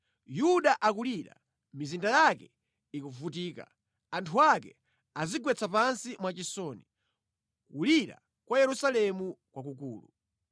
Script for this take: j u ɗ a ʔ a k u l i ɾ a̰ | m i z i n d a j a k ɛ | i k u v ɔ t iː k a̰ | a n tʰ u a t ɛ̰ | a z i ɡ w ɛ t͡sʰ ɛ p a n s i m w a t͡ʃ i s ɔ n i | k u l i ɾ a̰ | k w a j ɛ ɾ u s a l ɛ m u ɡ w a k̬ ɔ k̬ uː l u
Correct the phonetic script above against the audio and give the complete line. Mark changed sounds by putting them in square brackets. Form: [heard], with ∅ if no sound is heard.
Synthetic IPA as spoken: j u ɗ a ʔ a k u l i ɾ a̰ | m i z i n d a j a k ɛ | i k u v [u] t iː k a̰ | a n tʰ u a [k] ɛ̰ | a z i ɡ w ɛ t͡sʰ [a] p a n s i m w a t͡ʃ i s ɔ n i | k u l i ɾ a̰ | k w a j ɛ ɾ u s a l ɛ m u [k] w a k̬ [u] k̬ uː l u